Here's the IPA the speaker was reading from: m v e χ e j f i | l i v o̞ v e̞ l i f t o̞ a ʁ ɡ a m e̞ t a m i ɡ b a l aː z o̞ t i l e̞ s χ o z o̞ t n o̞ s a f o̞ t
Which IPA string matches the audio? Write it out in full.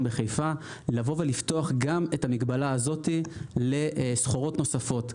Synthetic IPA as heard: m b e χ e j f a | l a v o̞ v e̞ l i f t o̞ a χ ɡ a m e̞ t a m i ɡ b a l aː z o̞ t i l e̞ s χ o ʁ o̞ t n o̞ s a f o̞ t